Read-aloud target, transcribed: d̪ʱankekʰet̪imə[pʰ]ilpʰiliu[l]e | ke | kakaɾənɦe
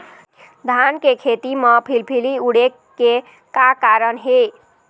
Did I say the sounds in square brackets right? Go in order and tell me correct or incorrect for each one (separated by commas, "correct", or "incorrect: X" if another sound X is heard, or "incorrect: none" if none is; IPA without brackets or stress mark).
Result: correct, incorrect: ɽ